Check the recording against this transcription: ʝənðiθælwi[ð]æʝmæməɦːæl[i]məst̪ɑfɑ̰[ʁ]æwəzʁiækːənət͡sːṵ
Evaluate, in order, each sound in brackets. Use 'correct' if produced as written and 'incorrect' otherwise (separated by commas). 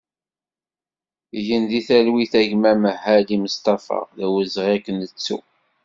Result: incorrect, correct, incorrect